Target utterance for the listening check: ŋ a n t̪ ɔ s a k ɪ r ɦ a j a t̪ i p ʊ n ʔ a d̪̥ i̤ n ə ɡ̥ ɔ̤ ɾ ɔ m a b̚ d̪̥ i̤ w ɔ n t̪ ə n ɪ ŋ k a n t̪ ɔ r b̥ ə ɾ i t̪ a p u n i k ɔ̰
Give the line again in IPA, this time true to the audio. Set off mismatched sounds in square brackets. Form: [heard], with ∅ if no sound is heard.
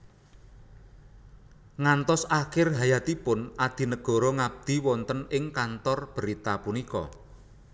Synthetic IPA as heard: ŋ a n t̪ ɔ s a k ɪ r ɦ a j a t̪ i p ʊ n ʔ a d̪̥ i̤ n ə ɡ̥ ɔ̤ ɾ ɔ [ŋ] a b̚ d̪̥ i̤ w ɔ n t̪ ə n ɪ ŋ k a n t̪ ɔ r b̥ ə ɾ i t̪ a p u n i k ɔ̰